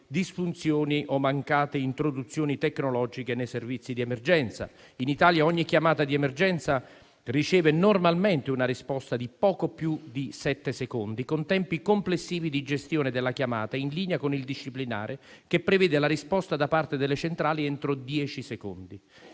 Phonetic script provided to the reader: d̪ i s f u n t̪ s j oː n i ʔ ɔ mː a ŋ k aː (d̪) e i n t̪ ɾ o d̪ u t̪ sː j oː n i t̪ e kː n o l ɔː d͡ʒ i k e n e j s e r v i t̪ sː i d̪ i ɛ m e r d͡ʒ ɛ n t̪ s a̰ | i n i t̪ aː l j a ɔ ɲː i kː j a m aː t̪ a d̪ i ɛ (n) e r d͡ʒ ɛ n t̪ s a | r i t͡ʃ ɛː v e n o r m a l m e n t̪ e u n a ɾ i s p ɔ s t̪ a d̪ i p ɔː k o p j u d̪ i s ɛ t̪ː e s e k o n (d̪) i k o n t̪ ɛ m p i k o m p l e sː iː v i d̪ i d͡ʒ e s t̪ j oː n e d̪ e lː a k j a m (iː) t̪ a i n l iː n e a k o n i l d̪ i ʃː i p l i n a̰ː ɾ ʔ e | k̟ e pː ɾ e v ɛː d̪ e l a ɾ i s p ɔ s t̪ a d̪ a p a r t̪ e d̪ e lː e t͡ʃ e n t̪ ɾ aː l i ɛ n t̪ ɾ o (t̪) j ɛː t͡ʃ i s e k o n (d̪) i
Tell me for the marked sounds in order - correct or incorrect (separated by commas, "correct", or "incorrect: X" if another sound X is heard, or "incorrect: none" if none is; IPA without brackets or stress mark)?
incorrect: t̪, incorrect: m, correct, incorrect: aː, incorrect: d̪, correct